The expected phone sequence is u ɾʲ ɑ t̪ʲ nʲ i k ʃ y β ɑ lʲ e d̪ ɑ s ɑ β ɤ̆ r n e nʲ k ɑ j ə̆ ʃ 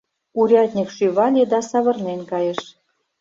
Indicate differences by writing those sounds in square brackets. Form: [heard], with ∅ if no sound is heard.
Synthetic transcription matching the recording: u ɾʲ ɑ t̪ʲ nʲ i k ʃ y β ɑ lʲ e d̪ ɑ s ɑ β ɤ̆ r n e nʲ k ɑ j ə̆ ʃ